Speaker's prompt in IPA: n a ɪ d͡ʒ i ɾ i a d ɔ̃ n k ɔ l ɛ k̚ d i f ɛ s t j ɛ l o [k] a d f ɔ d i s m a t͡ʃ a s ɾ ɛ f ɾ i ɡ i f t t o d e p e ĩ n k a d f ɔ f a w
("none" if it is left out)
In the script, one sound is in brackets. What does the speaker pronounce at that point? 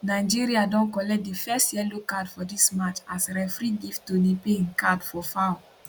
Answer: k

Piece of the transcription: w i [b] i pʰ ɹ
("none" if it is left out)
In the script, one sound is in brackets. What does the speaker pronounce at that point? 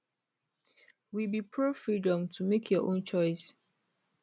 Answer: b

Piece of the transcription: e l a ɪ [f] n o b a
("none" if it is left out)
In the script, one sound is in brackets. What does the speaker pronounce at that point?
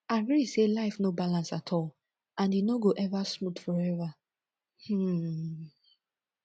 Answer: f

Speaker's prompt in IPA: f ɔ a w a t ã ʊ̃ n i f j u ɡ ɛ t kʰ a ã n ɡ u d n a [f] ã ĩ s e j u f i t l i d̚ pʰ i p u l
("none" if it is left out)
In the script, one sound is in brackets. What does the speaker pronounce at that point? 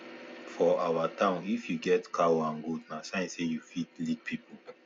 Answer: s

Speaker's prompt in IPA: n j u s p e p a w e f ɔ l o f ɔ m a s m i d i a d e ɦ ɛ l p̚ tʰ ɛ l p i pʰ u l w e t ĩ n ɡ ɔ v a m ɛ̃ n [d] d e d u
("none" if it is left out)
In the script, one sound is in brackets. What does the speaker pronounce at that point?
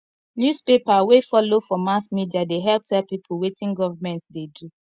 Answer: t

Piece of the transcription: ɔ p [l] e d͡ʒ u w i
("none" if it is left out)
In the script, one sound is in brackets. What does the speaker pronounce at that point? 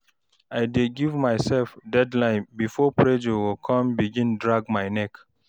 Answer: ɹ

